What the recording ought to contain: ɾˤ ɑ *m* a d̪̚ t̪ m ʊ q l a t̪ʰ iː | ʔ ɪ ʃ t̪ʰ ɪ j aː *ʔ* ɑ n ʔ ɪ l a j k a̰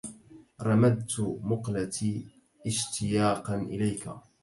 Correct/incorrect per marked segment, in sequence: correct, incorrect

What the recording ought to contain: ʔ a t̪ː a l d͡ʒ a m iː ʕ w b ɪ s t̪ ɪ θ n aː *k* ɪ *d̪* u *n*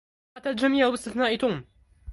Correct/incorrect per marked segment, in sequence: incorrect, incorrect, incorrect

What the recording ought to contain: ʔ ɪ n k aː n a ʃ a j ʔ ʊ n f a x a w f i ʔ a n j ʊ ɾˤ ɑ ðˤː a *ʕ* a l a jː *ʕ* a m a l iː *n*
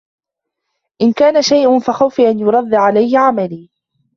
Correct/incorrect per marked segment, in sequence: correct, correct, incorrect

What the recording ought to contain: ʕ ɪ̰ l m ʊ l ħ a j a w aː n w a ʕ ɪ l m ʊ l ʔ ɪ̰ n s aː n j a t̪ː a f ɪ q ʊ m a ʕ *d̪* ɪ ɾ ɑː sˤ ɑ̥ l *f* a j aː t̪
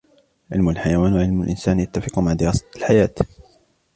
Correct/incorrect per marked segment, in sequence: correct, incorrect

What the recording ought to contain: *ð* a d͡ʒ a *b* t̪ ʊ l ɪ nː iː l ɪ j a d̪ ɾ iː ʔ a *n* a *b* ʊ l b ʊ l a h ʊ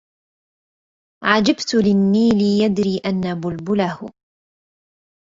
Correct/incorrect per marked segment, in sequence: incorrect, correct, incorrect, correct

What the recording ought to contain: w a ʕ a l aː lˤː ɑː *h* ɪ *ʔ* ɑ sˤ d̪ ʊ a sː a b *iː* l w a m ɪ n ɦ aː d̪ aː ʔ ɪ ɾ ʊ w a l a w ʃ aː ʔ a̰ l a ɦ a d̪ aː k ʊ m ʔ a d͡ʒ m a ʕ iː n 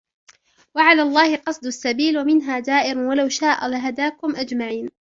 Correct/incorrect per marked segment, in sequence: correct, incorrect, correct

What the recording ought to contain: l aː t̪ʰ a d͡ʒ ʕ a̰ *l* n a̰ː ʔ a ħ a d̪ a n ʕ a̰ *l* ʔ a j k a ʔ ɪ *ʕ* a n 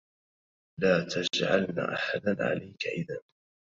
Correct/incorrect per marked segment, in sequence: correct, correct, incorrect

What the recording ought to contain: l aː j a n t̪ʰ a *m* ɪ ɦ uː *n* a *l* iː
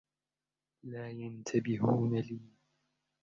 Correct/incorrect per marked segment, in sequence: incorrect, correct, correct

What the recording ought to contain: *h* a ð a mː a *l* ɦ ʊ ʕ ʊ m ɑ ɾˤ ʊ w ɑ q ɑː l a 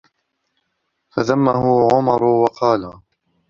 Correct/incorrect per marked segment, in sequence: incorrect, incorrect

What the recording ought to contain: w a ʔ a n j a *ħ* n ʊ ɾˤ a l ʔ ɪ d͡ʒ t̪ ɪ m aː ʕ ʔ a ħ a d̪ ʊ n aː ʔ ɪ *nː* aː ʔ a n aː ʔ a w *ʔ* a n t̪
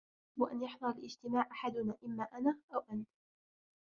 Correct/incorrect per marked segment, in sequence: correct, incorrect, correct

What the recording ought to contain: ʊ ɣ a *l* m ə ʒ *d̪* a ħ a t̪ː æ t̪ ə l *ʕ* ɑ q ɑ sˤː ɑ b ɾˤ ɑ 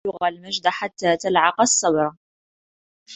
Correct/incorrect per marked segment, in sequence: correct, correct, correct

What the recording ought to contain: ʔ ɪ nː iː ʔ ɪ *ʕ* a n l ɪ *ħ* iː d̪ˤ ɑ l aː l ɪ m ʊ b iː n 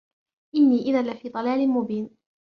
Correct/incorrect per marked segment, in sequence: incorrect, incorrect

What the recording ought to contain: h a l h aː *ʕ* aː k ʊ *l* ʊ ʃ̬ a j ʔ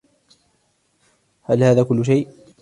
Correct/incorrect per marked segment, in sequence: incorrect, incorrect

